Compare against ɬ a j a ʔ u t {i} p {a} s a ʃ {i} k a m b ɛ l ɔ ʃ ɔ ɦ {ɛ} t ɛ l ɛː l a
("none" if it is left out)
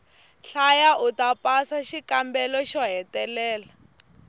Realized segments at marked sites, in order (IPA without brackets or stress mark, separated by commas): a, a, i, ɛ